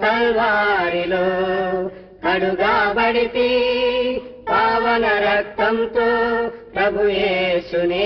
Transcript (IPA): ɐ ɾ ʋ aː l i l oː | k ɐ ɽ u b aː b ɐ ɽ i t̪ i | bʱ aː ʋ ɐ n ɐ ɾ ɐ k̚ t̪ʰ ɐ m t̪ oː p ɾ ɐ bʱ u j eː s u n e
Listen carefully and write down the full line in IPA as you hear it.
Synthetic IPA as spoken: ɐ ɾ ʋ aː ɾ i l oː | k ɐ ɽ u ɡ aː b ɐ ɽ i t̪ i | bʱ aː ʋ ɐ n ɐ ɾ ɐ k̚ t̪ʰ ɐ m t̪ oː p ɾ ɐ bʱ u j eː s u n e